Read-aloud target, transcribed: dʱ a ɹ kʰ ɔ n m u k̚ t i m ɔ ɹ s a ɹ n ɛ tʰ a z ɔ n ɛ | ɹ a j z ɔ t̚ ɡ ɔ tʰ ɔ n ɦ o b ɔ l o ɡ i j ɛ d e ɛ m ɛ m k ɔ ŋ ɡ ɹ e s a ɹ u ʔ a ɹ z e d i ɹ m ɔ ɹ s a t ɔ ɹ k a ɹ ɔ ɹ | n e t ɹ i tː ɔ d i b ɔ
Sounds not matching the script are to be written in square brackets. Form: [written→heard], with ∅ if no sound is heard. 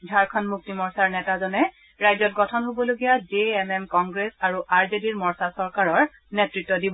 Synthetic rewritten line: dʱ a ɹ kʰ ɔ n m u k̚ t i m ɔ ɹ s a ɹ n ɛ [tʰ→t] a z ɔ n ɛ | ɹ a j z ɔ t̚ ɡ ɔ tʰ ɔ n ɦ o b ɔ l o ɡ i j [ɛ→a] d e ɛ m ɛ m k ɔ ŋ ɡ ɹ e s a ɹ u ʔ a ɹ z e d i ɹ m ɔ ɹ s a [t→s] ɔ ɹ k a ɹ ɔ ɹ | n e t ɹ i tː ɔ d i b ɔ